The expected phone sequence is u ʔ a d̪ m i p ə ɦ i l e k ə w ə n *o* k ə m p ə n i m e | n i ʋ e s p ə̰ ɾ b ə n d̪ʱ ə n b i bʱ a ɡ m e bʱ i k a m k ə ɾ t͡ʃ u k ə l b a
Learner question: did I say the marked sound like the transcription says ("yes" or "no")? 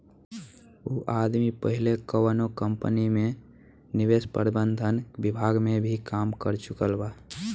yes